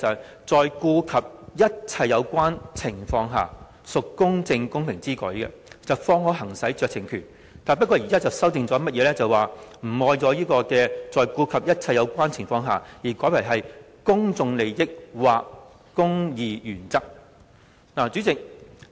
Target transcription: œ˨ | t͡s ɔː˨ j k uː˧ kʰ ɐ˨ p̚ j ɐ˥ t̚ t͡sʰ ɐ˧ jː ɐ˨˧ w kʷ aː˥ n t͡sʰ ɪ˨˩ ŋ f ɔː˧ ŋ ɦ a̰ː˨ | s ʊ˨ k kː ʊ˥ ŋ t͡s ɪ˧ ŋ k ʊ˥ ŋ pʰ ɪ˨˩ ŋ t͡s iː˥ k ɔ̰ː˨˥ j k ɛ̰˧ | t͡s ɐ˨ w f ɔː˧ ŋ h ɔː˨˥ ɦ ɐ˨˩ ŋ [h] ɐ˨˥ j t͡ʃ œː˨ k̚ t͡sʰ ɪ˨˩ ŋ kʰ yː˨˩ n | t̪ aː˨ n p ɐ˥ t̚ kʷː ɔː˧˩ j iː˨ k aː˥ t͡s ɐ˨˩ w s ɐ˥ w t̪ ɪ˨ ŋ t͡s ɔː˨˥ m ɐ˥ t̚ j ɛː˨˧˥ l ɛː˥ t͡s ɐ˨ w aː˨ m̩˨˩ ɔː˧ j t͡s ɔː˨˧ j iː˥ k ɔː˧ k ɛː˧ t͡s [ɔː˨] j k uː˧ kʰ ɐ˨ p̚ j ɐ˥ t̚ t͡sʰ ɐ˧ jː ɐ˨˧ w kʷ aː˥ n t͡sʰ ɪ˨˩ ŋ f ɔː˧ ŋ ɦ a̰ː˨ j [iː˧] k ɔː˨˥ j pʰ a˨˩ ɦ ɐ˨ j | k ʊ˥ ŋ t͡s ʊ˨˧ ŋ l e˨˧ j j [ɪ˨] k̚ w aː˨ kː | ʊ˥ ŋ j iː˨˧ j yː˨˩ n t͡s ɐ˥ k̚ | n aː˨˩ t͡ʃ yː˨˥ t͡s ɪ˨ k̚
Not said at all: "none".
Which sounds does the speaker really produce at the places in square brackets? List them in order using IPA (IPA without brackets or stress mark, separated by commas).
s, ɔː˨, iː˨˩, ɪ˥